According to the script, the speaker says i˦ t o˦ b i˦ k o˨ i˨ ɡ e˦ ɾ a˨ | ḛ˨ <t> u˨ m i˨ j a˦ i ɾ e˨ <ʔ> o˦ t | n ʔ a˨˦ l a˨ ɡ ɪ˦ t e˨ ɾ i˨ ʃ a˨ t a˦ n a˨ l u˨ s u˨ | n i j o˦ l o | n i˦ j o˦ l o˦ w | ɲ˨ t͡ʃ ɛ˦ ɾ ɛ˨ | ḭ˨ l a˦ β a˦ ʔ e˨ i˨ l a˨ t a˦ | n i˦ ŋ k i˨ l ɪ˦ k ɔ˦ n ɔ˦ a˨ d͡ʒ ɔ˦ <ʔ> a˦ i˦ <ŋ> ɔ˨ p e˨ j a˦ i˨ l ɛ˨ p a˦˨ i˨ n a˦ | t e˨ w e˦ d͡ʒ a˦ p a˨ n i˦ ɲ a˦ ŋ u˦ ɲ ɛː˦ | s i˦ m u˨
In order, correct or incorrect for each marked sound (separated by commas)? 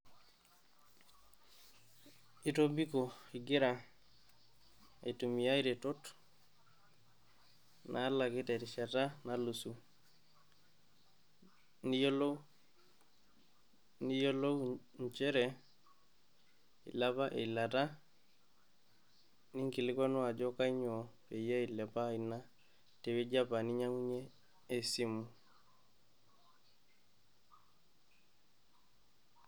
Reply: correct, incorrect, incorrect, incorrect